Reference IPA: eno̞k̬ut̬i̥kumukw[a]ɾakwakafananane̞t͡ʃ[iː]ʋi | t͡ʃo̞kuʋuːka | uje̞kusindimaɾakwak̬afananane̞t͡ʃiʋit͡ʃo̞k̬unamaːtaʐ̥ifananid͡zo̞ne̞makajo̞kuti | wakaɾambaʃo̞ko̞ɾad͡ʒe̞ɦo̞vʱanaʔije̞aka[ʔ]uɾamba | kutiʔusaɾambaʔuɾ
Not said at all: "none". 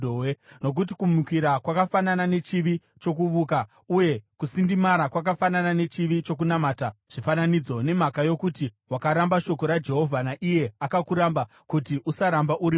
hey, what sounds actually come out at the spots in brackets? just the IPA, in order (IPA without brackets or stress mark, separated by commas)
i, i, k